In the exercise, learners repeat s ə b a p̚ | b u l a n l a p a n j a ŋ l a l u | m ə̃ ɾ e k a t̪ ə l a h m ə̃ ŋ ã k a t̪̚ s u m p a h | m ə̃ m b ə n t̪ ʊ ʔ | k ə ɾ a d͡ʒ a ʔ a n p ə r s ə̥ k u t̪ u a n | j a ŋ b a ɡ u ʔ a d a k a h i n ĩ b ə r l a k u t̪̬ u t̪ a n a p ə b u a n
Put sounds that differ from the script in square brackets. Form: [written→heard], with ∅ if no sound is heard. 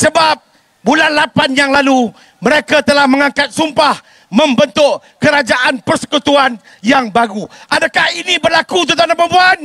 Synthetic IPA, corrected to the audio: s ə b a p̚ | b u l a n l a p a n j a ŋ l a l u | m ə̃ ɾ e k a t̪ ə l a h m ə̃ ŋ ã k a t̪̚ s u m p a h | m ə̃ m b ə n t̪ ʊ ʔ | k ə ɾ a d͡ʒ a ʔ a n p ə r s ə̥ k u t̪ u a n | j a ŋ b a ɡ u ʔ a d a k a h i n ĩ b ə r l a k u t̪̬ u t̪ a n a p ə b u a n